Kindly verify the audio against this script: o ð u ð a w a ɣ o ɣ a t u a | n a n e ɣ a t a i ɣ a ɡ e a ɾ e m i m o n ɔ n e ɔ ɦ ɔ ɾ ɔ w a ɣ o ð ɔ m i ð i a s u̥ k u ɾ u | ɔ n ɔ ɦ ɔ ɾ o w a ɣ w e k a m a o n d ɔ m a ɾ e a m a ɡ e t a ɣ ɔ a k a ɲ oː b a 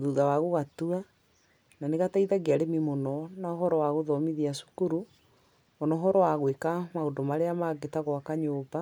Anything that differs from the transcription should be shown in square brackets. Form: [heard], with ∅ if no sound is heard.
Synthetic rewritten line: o ð u ð a w a ɣ o ɣ a t u a | n a n e ɣ a t a i [ð] a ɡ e a ɾ e m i m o n ɔ n [a] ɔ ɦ ɔ ɾ ɔ w a ɣ o ð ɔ m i ð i a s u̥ k u ɾ u | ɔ n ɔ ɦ ɔ ɾ [ɔ] w a ɣ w e k a m a o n d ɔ m a ɾ e a m a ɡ e t a ɣ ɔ a k a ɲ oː b a